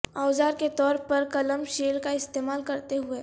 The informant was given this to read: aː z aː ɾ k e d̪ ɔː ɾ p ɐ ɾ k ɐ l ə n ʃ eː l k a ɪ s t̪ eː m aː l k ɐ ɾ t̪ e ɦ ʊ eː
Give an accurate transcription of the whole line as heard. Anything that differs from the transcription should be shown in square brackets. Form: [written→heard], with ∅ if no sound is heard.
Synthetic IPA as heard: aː z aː ɾ k e [d̪→t̪] ɔː ɾ p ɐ ɾ k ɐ l ə [n→m] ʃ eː l k a ɪ s t̪ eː m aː l k ɐ ɾ t̪ e ɦ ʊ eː

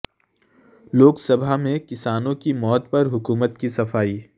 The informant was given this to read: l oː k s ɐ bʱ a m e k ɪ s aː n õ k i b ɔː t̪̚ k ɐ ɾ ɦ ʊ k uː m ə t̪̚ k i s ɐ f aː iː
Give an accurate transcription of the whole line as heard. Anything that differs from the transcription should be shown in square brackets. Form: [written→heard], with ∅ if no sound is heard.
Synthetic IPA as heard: l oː k s ɐ bʱ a m [e→ẽ] k ɪ s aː n õ k i [b→m] ɔː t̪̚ [k→p] ɐ ɾ ɦ ʊ k uː m ə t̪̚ k i s ɐ f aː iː

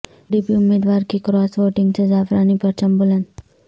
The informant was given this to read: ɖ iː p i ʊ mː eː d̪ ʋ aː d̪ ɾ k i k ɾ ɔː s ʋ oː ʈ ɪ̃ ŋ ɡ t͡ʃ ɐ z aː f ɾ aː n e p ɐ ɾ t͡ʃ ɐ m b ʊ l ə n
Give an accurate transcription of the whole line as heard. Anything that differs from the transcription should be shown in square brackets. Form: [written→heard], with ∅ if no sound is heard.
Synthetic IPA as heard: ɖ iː p i ʊ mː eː d̪ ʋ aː [d̪→∅] ɾ k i k ɾ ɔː s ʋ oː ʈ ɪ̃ ŋ ɡ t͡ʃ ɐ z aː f ɾ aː n [e→i] p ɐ ɾ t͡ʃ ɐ m b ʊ l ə n

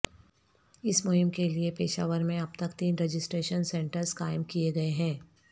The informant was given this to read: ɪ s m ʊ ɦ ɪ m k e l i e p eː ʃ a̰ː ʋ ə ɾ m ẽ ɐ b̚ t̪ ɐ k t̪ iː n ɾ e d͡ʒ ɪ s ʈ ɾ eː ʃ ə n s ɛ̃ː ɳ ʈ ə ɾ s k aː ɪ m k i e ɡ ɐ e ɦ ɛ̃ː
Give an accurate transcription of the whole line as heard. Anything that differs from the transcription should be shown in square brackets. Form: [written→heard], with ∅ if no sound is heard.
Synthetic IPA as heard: ɪ s m ʊ ɦ ɪ m k e l i e p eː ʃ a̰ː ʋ ə ɾ m ẽ ɐ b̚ t̪ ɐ k t̪ iː n ɾ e d͡ʒ ɪ s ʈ ɾ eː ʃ ə n s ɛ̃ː ɳ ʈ ə ɾ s k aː ɪ m k i e ɡ ɐ e ɦ ɛ̃ː

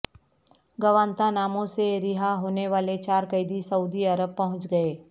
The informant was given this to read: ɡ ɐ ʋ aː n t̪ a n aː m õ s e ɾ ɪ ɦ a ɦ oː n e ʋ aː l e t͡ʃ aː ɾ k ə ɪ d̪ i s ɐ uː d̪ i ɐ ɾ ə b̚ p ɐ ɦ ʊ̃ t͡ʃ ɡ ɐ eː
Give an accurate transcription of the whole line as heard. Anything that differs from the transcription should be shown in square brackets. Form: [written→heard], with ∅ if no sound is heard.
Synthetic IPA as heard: ɡ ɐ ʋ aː n t̪ a n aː m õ s e ɾ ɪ ɦ a ɦ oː n e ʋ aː l e t͡ʃ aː ɾ k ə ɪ d̪ i s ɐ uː d̪ i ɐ ɾ ə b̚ p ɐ ɦ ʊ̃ t͡ʃ ɡ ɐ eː

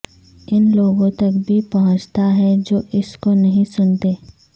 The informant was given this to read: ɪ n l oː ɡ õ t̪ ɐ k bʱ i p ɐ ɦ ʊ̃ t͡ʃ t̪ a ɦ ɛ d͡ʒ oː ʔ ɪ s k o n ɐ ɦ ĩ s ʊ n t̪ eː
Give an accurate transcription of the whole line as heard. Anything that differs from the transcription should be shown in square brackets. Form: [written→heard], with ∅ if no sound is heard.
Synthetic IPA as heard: ɪ n l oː ɡ õ t̪ ɐ k bʱ i p ɐ ɦ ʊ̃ t͡ʃ t̪ a ɦ ɛ d͡ʒ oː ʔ ɪ s k o n ɐ ɦ ĩ s ʊ n t̪ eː

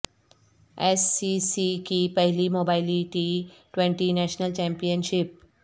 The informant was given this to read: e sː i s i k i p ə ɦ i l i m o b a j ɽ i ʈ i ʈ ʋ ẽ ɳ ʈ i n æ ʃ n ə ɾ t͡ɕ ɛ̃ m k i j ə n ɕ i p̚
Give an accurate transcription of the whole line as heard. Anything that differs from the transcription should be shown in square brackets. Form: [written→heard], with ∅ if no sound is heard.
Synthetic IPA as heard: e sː i s i k i p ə ɦ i l i m o b a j [ɽ→l] i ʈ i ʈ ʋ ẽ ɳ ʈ i n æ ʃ n ə [ɾ→l] t͡ɕ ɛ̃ m [k→p] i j ə n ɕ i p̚

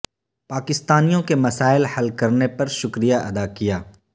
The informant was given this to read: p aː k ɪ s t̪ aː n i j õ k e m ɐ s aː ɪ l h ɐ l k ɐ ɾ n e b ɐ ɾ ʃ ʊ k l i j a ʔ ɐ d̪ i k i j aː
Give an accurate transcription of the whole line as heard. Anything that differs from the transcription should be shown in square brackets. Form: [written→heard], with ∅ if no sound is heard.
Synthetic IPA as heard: p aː k ɪ s t̪ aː n i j õ k e m ɐ s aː ɪ l h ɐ l k ɐ ɾ n e [b→p] ɐ ɾ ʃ ʊ k [l→ɾ] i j a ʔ ɐ d̪ [i→a] k i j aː

